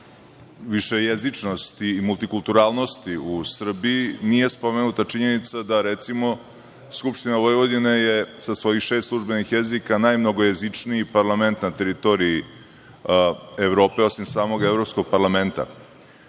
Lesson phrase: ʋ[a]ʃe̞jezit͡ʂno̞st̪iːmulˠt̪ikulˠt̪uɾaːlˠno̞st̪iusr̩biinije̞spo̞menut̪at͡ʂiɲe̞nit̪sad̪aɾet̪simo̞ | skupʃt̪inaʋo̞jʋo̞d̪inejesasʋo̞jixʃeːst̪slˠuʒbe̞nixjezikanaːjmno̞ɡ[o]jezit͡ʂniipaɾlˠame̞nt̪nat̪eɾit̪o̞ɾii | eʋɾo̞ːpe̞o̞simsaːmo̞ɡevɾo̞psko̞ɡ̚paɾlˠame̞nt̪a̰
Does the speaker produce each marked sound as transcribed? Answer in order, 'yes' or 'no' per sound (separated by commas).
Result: no, yes